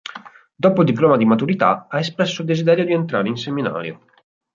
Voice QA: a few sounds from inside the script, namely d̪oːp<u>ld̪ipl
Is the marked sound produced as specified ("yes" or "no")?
no